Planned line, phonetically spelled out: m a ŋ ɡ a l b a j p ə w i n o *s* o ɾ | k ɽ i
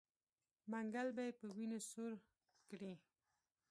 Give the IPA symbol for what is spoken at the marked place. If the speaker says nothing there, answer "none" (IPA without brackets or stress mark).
s